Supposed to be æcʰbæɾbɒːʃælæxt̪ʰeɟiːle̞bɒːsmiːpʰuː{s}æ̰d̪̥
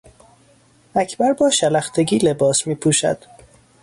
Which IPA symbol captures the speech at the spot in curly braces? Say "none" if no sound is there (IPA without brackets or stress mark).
ʃ